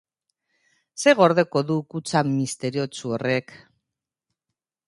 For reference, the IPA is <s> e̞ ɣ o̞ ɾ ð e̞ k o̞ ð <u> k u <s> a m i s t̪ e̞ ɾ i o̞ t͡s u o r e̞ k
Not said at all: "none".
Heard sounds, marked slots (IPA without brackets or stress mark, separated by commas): s, u, t͡s